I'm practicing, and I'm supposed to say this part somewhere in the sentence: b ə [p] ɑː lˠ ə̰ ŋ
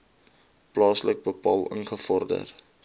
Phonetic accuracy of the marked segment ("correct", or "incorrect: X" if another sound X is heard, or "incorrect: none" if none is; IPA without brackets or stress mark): correct